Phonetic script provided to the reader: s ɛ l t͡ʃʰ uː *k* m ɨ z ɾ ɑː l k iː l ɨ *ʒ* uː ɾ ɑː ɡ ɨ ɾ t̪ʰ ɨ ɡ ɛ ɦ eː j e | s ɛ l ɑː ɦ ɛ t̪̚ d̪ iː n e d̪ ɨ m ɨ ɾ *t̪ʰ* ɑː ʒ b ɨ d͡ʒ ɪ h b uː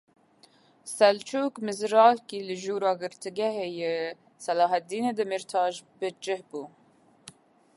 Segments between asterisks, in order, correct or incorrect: correct, correct, correct

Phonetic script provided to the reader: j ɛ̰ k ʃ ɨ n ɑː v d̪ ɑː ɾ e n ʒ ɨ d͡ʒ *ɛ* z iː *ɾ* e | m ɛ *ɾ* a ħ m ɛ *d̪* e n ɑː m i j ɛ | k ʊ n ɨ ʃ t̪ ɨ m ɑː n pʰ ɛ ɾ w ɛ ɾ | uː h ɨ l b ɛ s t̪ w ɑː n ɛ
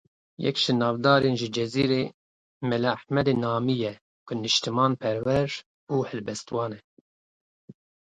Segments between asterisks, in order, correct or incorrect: correct, correct, incorrect: l, correct

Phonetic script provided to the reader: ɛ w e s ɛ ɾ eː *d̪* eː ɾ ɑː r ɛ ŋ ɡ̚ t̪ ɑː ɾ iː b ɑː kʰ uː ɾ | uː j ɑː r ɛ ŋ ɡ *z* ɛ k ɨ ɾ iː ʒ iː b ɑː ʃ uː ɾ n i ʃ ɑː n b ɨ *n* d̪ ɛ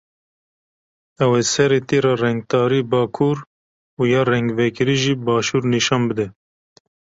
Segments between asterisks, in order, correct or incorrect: incorrect: t̪, incorrect: v, incorrect: none

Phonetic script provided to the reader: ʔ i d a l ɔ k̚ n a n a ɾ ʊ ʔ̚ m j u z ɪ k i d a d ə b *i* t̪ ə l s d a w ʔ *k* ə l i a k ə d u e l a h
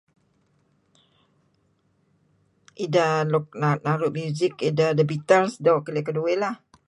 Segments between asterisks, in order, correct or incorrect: correct, correct

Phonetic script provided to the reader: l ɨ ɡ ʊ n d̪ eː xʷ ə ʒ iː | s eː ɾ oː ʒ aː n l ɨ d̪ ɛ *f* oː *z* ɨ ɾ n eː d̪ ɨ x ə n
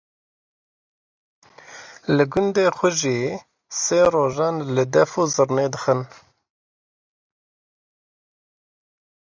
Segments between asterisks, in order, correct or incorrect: correct, correct

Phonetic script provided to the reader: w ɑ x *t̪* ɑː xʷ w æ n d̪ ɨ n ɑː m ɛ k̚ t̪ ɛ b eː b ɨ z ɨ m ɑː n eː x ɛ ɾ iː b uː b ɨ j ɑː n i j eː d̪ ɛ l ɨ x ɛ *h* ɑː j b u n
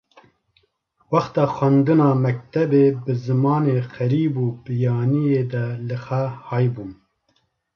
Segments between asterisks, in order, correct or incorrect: correct, correct

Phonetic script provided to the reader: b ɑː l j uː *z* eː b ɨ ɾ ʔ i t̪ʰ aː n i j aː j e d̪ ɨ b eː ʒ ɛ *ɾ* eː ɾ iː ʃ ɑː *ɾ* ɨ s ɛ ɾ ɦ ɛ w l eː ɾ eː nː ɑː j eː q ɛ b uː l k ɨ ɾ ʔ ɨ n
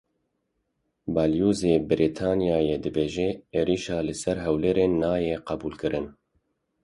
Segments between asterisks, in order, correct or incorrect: correct, incorrect: none, incorrect: l

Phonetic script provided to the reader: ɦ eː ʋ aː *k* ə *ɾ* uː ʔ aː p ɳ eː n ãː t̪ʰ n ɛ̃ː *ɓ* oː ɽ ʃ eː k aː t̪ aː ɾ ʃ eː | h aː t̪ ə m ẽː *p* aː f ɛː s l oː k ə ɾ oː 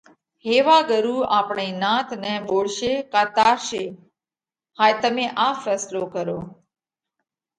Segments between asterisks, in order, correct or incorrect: incorrect: ɡ, correct, correct, incorrect: ʔ

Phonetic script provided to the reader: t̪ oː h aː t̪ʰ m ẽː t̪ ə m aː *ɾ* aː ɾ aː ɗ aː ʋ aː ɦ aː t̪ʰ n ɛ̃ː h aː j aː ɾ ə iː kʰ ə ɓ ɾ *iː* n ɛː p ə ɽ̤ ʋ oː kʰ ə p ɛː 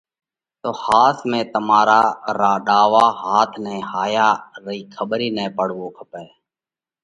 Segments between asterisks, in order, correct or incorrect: correct, correct

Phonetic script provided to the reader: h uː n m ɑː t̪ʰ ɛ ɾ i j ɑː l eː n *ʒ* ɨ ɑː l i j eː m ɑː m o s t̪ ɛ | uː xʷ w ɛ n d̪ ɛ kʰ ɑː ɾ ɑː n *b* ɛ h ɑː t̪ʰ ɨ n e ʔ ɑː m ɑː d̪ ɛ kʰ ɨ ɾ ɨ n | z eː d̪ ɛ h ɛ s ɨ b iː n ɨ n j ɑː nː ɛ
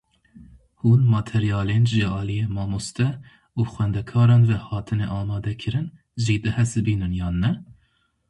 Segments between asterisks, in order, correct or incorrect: correct, incorrect: v

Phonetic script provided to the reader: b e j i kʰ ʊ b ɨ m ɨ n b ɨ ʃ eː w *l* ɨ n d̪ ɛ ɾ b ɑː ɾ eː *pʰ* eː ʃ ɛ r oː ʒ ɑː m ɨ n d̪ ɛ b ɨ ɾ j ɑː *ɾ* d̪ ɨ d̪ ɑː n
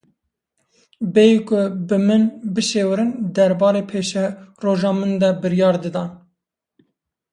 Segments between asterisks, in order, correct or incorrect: incorrect: ɾ, correct, correct

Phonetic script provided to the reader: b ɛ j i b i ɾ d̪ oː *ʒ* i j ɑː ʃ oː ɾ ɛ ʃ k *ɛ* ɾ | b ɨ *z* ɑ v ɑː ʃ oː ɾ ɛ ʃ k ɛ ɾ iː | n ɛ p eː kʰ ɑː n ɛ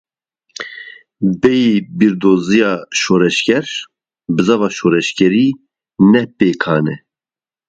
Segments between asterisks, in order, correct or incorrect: incorrect: z, correct, correct

